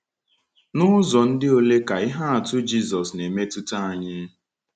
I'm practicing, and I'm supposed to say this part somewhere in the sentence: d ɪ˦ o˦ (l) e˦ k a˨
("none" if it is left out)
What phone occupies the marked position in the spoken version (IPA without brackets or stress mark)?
l